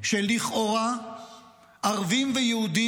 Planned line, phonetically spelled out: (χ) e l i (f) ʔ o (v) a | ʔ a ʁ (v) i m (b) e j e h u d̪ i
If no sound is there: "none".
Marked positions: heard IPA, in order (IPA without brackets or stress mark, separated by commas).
ʃ, χ, ʁ, v, v